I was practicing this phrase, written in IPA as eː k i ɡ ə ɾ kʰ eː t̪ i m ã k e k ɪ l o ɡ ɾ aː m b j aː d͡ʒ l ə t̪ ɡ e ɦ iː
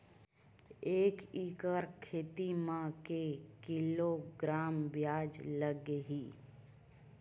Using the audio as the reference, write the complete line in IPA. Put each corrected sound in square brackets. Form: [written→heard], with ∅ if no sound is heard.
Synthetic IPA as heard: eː k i [ɡ→k] ə ɾ kʰ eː t̪ i m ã k e k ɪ l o ɡ ɾ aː m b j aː d͡ʒ l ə [t̪→∅] ɡ e ɦ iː